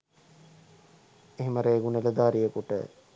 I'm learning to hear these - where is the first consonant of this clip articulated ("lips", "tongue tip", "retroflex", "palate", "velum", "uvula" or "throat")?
throat